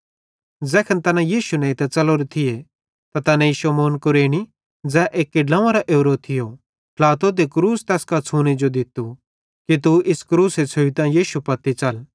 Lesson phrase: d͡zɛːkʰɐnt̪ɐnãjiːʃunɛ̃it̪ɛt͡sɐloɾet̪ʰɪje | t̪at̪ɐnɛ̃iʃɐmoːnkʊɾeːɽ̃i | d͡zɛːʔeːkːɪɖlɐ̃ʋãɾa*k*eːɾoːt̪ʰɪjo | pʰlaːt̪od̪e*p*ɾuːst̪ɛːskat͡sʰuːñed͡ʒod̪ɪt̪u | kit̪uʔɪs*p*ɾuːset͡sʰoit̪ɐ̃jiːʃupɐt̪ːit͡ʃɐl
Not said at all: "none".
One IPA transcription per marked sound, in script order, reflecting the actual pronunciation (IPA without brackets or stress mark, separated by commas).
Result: ʔ, k, k